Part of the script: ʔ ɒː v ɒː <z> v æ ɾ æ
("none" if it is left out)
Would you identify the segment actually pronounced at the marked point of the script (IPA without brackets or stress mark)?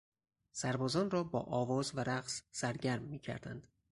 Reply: z